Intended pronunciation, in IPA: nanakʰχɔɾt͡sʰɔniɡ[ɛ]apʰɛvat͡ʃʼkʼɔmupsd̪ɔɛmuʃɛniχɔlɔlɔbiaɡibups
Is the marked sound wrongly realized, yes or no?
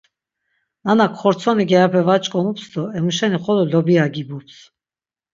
no